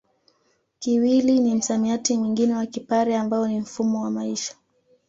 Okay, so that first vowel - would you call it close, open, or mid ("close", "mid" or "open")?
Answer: close